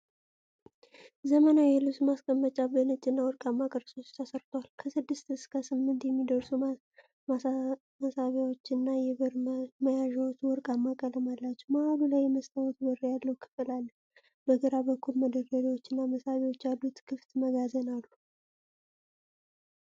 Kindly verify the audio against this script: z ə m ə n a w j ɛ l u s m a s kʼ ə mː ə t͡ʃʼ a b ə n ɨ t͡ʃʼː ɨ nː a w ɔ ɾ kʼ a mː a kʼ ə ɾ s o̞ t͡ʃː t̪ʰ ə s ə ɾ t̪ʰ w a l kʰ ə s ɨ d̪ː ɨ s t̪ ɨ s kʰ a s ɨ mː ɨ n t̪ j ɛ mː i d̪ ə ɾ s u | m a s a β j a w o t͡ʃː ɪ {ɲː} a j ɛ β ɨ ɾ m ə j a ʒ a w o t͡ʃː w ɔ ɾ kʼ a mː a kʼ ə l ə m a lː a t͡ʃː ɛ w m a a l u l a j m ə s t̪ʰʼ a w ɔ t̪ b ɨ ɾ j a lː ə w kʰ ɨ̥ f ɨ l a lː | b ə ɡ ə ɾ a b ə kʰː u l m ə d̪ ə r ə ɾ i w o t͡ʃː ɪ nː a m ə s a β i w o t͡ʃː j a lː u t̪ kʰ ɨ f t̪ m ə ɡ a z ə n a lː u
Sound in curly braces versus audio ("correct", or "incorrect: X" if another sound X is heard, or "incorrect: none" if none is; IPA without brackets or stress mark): incorrect: nː